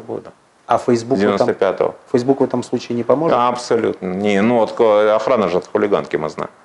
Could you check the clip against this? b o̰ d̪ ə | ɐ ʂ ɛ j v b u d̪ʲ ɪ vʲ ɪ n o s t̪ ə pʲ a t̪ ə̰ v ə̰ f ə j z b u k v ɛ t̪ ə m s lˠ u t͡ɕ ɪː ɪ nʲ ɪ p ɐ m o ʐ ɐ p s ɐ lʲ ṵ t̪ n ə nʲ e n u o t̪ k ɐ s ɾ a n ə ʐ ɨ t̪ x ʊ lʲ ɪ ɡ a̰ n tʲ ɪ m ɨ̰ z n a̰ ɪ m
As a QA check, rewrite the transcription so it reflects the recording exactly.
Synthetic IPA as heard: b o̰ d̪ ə | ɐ f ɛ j z b u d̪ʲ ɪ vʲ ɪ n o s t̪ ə pʲ a t̪ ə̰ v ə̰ f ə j z b u k v ɛ t̪ ə m s lˠ u t͡ɕ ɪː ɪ nʲ ɪ p ɐ m o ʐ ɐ p s ɐ lʲ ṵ t̪ n ə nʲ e n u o t̪ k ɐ x ɾ a n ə ʐ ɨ t̪ x ʊ lʲ ɪ ɡ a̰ n kʲ ɪ m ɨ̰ z n a̰ ɪ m